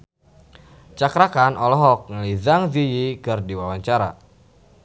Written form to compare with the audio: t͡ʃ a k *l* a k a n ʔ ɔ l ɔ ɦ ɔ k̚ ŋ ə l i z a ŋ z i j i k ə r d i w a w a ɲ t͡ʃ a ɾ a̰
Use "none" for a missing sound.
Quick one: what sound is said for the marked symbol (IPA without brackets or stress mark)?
ɾ